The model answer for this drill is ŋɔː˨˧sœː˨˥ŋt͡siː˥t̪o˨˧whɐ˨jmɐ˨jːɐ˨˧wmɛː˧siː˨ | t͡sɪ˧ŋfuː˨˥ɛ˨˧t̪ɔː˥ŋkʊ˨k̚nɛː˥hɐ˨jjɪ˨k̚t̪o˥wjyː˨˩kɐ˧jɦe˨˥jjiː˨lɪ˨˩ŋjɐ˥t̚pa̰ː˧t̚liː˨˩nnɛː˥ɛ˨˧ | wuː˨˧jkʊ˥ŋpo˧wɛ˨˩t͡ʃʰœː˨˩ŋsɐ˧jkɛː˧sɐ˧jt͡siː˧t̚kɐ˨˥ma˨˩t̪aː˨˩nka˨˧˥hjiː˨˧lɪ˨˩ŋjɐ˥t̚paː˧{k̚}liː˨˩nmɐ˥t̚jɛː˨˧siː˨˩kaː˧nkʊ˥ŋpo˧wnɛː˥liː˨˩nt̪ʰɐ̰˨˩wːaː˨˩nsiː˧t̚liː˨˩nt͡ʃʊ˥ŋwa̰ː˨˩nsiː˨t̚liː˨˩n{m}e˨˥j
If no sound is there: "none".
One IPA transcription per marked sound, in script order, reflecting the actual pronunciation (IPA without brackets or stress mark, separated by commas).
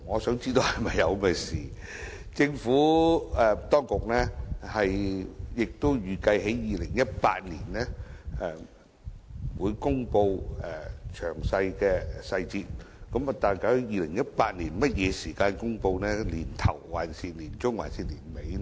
t̚, m